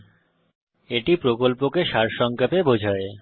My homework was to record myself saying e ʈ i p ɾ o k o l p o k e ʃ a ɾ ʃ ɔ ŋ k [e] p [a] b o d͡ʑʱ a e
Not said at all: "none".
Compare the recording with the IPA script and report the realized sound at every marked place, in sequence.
a, e

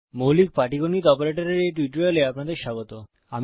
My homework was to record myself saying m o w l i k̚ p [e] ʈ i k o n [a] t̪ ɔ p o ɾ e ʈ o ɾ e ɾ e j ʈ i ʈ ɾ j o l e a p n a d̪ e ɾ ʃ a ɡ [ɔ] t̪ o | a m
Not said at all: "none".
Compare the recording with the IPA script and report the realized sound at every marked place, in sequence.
a, i, o

